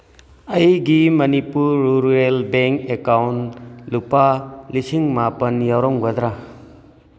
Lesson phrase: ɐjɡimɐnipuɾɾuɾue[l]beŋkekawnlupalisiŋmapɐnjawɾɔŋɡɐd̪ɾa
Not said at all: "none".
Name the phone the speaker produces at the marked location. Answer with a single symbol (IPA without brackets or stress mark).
l